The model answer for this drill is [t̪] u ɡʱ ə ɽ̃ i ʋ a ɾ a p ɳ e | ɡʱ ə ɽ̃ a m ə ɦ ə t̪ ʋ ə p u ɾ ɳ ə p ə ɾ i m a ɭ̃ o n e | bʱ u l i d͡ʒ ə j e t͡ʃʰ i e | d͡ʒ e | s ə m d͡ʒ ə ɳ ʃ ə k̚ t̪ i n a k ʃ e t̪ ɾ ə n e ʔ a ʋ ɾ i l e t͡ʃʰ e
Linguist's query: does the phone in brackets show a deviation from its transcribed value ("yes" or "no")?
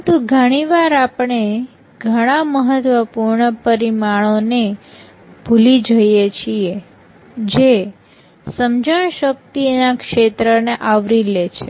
no